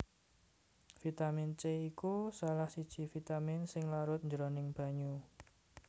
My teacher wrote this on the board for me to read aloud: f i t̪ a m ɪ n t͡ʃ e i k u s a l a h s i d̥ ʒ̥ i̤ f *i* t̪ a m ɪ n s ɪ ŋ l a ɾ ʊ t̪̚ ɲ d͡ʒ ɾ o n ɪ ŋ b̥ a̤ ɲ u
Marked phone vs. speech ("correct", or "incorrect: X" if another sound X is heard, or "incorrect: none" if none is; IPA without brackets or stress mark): correct